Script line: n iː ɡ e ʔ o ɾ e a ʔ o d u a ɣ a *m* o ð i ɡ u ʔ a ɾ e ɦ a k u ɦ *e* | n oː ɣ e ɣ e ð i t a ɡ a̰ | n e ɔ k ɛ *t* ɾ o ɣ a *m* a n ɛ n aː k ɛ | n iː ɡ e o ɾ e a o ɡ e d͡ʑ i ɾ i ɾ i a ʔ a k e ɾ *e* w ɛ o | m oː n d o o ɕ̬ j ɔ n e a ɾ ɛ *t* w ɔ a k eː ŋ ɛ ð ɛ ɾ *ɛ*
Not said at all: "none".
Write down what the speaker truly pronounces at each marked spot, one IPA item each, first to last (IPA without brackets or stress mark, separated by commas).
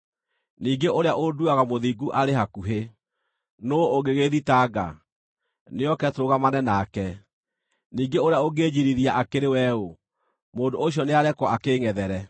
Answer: m, e, t, m, e, k, ɛ